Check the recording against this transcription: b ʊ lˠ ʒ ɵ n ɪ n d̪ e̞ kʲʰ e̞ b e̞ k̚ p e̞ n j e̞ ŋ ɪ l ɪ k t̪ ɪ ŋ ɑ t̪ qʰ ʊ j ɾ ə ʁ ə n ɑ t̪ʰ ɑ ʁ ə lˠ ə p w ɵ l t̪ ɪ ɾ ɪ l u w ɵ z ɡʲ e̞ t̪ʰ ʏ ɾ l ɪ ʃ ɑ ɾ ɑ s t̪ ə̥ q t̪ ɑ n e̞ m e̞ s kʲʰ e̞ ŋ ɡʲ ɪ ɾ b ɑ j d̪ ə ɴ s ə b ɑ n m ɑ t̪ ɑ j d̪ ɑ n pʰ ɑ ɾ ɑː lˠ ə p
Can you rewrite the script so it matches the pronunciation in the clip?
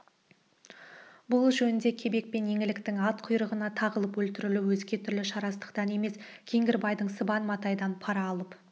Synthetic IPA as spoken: b ʊ lˠ ʒ ɵ n ɪ n d̪ e̞ kʲʰ e̞ b e̞ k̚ p e̞ n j e̞ ŋ ɪ l ɪ k t̪ ɪ ŋ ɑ t̪ qʰ ʊ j ɾ ə ʁ ə n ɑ t̪ʰ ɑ ʁ ə lˠ ə p w ɵ l t̪ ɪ ɾ ɪ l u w ɵ z ɡʲ e̞ t̪ʰ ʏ ɾ l ɪ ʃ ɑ ɾ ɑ s t̪ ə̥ q t̪ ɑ n e̞ m e̞ s kʲʰ e̞ ŋ ɡʲ ɪ ɾ b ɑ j d̪ ə ɴ s ə b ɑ n m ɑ t̪ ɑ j d̪ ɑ n pʰ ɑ ɾ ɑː lˠ ə p